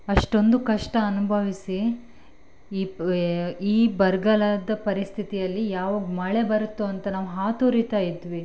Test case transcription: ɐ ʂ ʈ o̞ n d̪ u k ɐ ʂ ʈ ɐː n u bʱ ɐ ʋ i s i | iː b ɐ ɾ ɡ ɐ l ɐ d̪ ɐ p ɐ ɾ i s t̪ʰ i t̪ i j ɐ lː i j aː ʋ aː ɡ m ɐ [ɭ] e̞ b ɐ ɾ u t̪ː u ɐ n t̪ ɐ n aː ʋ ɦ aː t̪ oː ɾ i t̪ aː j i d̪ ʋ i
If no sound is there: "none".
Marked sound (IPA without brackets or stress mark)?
ɭ